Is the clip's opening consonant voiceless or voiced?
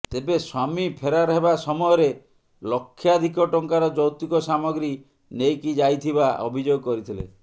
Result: voiceless